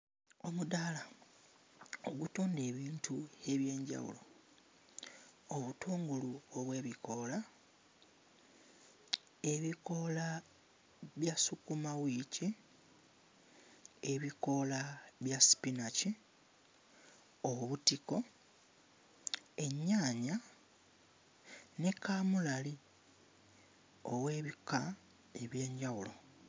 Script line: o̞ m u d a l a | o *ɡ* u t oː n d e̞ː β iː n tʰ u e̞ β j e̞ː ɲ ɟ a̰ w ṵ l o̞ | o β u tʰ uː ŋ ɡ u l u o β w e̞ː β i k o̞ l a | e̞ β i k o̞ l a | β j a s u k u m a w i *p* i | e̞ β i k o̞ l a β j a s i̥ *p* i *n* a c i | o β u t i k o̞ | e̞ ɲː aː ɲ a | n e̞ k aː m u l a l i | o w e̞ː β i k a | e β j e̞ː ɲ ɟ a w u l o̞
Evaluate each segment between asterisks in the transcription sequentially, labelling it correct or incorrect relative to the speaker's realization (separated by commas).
correct, incorrect, correct, correct